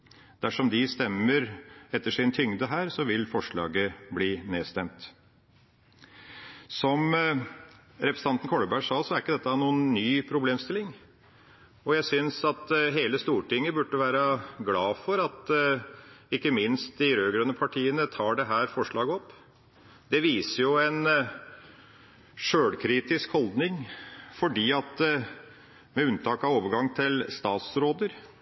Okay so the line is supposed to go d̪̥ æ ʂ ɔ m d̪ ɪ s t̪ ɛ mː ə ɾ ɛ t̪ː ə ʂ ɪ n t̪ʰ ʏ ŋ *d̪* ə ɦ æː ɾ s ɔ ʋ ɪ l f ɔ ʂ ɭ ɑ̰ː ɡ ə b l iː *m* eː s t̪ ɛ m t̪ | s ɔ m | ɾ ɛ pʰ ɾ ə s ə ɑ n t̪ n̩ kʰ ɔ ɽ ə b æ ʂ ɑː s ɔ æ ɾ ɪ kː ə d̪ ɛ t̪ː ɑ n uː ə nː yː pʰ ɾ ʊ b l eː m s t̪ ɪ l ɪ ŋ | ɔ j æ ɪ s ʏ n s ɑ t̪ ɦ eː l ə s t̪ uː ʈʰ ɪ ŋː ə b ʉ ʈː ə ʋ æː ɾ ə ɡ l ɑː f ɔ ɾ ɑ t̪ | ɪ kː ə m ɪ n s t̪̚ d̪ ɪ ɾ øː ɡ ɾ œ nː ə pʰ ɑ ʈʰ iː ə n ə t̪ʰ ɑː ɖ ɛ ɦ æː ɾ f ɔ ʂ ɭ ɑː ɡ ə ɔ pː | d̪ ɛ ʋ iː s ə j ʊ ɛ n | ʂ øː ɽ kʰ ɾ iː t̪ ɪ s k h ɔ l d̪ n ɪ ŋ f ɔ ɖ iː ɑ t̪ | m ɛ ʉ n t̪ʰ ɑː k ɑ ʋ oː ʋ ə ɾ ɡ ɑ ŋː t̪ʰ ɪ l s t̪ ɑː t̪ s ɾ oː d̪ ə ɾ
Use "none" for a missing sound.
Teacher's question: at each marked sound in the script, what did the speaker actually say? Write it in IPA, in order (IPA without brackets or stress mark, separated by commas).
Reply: d̪, n